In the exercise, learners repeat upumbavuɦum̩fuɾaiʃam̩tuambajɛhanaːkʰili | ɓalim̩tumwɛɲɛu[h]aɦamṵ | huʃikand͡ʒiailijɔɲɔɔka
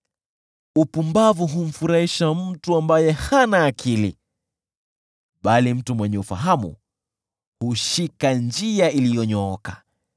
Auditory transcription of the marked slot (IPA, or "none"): f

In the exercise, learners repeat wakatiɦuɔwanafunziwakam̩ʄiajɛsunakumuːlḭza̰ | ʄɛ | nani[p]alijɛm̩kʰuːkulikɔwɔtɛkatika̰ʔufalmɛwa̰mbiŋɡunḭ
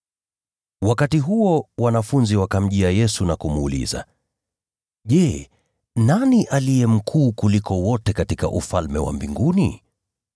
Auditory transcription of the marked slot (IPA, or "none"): ʔ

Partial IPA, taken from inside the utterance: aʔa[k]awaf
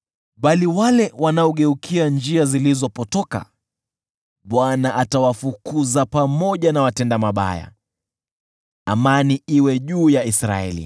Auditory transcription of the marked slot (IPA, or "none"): t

